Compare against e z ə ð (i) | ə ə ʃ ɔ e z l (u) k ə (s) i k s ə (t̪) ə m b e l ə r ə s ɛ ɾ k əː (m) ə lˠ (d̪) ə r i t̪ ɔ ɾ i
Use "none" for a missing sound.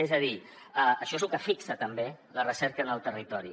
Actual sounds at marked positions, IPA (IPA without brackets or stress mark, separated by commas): i, u, f, t̪, n, t̪